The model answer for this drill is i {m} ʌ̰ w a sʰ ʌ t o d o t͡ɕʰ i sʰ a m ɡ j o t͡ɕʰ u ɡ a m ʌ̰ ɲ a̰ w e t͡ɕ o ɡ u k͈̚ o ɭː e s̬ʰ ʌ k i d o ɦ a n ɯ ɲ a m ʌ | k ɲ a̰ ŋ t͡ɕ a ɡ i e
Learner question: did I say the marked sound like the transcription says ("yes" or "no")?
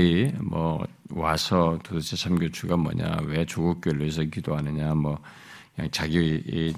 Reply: yes